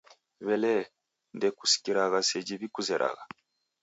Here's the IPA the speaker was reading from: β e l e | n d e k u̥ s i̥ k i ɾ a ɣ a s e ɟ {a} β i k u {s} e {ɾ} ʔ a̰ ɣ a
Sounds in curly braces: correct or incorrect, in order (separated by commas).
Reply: incorrect, incorrect, correct